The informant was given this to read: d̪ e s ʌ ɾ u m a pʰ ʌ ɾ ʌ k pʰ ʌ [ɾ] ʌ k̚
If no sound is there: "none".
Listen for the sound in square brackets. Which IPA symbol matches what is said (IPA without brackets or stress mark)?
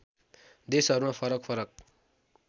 ɾ